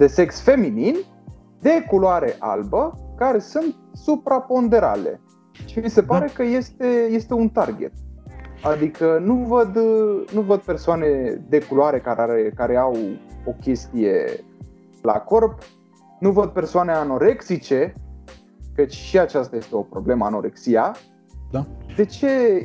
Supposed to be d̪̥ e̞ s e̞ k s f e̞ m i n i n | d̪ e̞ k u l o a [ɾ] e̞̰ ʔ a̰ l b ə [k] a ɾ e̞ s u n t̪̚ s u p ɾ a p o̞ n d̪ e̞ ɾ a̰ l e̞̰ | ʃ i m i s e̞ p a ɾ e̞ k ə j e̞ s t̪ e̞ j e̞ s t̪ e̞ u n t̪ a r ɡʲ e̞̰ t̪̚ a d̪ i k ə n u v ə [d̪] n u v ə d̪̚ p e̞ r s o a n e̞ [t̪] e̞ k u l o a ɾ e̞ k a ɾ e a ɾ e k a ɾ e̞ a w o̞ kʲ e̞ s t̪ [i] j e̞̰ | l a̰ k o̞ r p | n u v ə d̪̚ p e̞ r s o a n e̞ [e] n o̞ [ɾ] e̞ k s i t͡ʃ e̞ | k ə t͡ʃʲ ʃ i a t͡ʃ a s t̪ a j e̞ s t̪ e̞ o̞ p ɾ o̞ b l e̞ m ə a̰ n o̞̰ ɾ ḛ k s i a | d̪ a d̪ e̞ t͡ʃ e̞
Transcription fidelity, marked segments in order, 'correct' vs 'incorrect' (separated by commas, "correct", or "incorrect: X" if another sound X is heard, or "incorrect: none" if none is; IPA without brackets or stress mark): correct, correct, correct, incorrect: d̪, correct, incorrect: a, correct